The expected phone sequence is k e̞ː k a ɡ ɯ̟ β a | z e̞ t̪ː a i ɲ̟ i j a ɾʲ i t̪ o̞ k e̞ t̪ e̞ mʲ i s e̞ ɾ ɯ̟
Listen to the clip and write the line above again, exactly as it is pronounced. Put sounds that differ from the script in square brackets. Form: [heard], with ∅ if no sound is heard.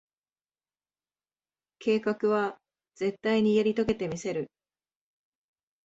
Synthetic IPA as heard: k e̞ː k a [k] ɯ̟ β a | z e̞ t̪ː a i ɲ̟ i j a ɾʲ i t̪ o̞ k e̞ t̪ e̞ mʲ i s e̞ ɾ ɯ̟